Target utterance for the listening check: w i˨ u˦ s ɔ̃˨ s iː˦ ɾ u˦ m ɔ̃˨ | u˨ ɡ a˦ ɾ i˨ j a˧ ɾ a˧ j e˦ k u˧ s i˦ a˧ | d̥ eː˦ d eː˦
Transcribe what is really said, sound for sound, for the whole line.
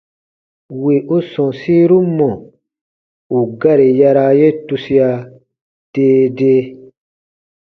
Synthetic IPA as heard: w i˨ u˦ s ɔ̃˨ s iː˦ ɾ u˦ m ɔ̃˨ | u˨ ɡ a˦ ɾ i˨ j a˧ ɾ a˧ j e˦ t u˧ s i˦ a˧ | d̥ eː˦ d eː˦